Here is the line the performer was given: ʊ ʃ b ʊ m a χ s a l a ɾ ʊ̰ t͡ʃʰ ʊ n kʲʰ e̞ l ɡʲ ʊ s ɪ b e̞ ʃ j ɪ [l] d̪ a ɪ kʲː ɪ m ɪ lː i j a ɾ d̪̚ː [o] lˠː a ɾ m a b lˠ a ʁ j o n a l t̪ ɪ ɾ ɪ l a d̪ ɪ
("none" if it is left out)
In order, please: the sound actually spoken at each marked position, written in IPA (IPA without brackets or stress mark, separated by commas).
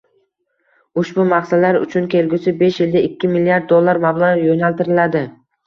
l, o